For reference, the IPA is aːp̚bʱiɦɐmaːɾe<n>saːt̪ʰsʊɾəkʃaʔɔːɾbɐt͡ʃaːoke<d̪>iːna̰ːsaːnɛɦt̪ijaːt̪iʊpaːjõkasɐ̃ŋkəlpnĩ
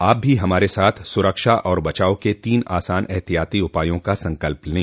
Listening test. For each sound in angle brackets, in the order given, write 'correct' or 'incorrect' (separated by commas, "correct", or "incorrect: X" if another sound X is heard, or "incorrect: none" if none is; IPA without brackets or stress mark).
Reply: incorrect: none, incorrect: t̪